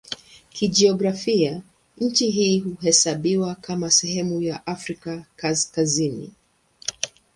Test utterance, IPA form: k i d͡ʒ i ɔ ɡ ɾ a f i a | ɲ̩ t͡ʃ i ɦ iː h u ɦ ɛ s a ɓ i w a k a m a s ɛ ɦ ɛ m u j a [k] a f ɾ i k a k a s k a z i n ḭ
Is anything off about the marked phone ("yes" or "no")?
yes